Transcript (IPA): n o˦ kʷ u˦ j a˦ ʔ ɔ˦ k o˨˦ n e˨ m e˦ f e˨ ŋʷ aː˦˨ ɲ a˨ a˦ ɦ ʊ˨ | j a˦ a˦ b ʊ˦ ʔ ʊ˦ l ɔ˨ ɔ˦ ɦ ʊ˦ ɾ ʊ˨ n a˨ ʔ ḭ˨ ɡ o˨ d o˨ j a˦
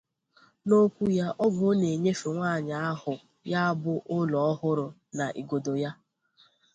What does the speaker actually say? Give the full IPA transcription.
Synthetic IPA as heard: n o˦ kʷ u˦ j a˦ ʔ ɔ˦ ɡ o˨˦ n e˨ ɲ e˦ f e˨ ŋʷ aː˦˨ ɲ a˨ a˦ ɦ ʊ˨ | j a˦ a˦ b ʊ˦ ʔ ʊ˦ l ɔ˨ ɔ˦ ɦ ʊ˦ ɾ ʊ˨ n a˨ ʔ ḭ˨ ɡ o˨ d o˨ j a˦

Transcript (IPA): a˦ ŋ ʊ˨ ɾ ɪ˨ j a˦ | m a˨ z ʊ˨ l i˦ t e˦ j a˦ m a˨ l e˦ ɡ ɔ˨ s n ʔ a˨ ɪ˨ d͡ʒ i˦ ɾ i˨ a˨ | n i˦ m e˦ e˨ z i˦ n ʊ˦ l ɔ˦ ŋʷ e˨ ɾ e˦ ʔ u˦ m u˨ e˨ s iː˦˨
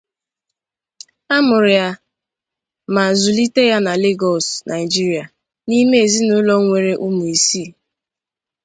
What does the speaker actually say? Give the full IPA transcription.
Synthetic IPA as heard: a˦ m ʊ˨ ɾ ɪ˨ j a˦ | m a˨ z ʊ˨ l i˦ t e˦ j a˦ n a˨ l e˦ ɡ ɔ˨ s n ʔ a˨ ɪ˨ d͡ʒ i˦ ɾ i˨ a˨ | n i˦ m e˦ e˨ z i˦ n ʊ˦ l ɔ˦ ŋʷ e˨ ɾ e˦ ʔ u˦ m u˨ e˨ s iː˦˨

